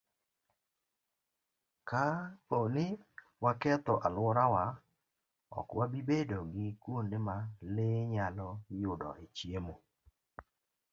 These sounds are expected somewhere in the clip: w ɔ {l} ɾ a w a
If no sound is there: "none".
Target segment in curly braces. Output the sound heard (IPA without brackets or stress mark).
none